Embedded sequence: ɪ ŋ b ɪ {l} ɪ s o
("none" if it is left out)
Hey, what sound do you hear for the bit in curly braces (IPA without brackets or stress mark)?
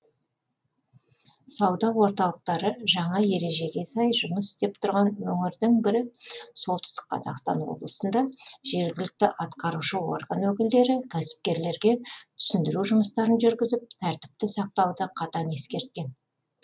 ɾ